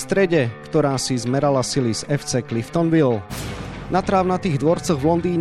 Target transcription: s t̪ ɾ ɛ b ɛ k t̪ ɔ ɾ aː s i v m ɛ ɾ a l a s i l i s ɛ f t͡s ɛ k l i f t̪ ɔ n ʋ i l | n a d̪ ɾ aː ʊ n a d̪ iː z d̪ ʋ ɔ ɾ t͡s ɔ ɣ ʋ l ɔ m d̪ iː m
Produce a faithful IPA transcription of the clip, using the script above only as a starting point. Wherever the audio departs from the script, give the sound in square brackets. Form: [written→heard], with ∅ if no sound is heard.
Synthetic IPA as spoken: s t̪ ɾ ɛ [b→ɟ] ɛ k t̪ ɔ ɾ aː s i [v→z] m ɛ ɾ a l a s i l i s ɛ f t͡s ɛ k l i f t̪ ɔ n ʋ i l | n a [d̪→t̪] ɾ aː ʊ n a [d̪→t̪] iː [z→ɣ] d̪ ʋ ɔ ɾ t͡s ɔ ɣ ʋ l ɔ [m→n] d̪ iː [m→ɲ]